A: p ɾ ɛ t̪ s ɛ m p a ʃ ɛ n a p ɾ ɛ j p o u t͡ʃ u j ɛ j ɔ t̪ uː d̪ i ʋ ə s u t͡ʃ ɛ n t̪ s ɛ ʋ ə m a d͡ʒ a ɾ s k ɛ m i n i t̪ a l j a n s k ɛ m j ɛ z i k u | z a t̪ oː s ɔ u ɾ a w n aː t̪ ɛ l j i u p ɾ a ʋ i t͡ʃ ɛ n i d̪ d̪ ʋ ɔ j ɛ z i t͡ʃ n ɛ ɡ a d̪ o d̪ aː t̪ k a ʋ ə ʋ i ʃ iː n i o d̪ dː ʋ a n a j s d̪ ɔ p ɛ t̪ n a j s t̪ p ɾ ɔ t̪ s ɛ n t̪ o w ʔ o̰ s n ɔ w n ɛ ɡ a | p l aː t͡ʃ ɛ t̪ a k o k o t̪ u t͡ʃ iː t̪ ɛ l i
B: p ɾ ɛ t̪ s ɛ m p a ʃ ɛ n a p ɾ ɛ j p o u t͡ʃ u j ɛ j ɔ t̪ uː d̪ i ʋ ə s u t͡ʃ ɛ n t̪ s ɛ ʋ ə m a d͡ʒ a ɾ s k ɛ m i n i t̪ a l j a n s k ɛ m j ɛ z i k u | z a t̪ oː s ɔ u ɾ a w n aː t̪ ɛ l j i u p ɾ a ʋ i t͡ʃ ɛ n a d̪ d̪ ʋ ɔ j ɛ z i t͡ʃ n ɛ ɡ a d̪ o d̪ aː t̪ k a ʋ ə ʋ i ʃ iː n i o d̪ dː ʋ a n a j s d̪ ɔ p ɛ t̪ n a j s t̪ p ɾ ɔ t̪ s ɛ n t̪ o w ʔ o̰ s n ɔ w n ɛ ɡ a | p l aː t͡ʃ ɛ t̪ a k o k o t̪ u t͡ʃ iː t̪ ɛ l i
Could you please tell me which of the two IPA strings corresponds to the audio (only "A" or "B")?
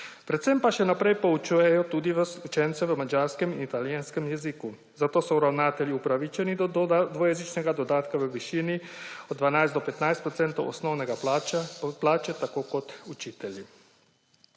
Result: A